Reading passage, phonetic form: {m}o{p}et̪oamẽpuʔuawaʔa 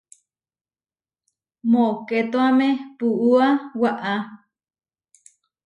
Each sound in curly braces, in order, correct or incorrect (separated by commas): correct, incorrect